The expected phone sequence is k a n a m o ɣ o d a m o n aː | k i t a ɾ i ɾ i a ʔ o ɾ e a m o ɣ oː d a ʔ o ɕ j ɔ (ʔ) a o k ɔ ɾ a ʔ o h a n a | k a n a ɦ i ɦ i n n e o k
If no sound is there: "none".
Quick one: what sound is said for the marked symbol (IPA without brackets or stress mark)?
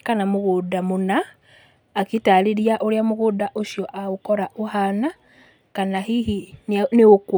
ʔ